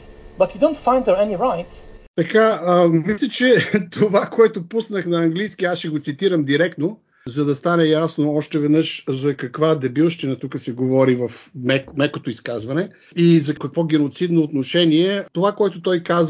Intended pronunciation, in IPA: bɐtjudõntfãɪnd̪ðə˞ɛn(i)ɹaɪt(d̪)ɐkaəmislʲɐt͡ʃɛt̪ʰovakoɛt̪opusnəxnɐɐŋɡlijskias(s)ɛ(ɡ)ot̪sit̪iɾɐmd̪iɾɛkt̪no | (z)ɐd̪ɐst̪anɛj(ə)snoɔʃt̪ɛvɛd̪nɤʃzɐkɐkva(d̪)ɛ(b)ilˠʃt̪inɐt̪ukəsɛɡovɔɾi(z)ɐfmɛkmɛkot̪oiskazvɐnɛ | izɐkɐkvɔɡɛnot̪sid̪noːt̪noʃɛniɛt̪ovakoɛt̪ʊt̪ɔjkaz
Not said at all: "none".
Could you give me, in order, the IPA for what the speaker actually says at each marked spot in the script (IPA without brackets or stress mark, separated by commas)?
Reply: i, t̪, ʃ, ɡ, z, a, d̪, b, v